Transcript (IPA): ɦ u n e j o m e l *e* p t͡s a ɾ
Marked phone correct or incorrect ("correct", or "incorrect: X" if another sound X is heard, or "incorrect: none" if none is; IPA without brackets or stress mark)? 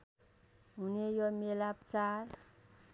incorrect: a